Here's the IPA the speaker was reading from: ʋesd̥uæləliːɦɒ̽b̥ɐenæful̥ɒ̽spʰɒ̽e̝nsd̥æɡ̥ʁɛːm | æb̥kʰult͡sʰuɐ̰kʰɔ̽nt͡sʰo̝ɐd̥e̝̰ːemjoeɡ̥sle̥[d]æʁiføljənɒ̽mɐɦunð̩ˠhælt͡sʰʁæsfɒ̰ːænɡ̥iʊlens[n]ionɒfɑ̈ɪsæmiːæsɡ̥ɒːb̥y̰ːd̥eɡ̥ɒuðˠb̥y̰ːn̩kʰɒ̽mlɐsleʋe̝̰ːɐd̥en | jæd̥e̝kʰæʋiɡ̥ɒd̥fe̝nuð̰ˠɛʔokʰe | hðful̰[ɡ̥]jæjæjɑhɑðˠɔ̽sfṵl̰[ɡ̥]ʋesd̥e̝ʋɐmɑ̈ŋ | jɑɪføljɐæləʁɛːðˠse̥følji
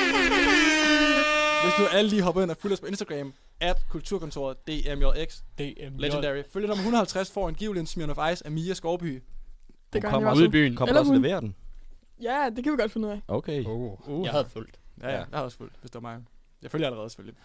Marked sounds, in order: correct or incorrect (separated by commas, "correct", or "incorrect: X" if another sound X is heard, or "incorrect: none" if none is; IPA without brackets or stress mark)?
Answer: correct, incorrect: m, incorrect: d̥, incorrect: d̥